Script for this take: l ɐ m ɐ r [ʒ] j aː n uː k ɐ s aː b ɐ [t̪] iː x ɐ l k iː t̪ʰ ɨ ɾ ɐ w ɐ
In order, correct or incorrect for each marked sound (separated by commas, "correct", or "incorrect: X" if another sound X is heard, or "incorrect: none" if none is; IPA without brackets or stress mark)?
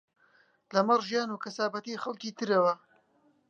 correct, correct